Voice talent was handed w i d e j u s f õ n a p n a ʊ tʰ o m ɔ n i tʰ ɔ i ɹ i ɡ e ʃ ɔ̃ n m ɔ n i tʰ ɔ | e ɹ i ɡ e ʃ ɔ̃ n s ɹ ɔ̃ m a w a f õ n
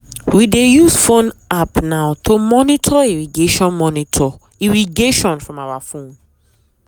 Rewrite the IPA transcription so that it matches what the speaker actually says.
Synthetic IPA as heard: w i d e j u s f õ n a p n a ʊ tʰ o m ɔ n i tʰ ɔ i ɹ i ɡ e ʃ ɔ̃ n m ɔ n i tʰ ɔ | i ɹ i ɡ e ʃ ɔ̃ n f ɹ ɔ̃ m a w a f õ n